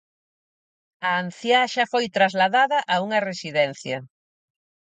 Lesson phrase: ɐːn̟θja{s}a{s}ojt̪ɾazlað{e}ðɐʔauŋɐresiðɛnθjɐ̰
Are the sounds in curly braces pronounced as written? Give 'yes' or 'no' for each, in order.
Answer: no, no, no

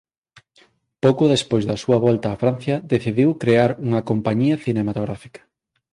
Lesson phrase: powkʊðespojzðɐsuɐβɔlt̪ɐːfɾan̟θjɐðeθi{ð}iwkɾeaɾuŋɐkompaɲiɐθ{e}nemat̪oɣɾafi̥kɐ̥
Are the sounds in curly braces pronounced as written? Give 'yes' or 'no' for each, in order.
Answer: yes, no

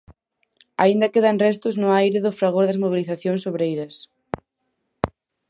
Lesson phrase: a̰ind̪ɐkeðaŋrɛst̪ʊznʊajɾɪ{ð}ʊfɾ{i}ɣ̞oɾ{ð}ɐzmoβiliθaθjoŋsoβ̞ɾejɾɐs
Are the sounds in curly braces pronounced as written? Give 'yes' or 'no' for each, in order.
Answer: yes, no, yes

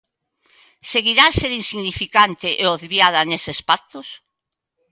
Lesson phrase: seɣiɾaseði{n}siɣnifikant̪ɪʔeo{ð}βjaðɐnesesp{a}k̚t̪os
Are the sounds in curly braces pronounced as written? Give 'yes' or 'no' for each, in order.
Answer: yes, yes, yes

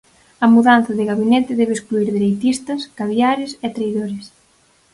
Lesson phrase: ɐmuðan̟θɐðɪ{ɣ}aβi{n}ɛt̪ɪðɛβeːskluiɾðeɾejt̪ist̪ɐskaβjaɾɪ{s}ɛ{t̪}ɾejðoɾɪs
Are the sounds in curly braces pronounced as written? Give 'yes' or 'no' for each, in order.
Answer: yes, yes, yes, yes

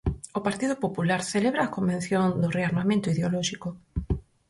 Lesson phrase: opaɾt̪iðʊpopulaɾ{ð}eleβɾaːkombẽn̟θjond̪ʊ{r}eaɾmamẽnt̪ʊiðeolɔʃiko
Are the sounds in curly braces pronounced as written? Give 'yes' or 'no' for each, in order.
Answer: no, yes

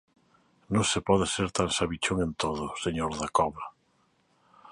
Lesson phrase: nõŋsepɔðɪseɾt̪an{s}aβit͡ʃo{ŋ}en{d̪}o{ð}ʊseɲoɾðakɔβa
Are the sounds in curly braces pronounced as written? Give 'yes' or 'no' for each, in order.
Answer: yes, yes, no, yes

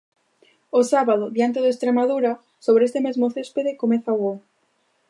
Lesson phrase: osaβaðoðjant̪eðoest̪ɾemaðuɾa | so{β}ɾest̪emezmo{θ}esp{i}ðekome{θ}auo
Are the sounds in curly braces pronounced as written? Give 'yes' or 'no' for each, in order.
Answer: yes, yes, no, yes

